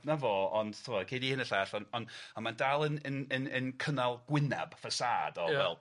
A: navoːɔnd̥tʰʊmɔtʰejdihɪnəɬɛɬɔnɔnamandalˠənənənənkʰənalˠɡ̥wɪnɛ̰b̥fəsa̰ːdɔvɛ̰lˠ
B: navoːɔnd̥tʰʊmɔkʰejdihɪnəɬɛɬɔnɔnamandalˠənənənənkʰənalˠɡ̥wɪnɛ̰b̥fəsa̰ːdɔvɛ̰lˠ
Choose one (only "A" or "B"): B